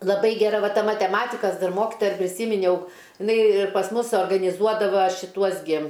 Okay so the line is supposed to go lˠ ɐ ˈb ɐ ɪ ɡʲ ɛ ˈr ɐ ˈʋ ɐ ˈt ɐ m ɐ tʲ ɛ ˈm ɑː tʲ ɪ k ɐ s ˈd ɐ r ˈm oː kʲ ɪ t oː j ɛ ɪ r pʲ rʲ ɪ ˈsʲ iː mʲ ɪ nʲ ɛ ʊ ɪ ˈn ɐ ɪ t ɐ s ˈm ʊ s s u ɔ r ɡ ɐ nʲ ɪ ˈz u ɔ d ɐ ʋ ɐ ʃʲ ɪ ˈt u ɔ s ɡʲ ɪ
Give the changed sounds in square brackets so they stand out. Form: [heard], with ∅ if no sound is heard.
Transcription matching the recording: lˠ ɐ ˈb ɐ ɪ ɡʲ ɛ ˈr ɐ ˈʋ ɐ ˈt ɐ m ɐ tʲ ɛ ˈm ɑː tʲ ɪ k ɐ s ˈd ɐ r ˈm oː kʲ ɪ t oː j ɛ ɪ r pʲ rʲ ɪ ˈsʲ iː mʲ ɪ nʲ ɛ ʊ ɪ ˈn ɐ ɪ [p] ɐ s ˈm ʊ s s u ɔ r ɡ ɐ nʲ ɪ ˈz u ɔ d ɐ ʋ ɐ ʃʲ ɪ ˈt u ɔ s ɡʲ ɪ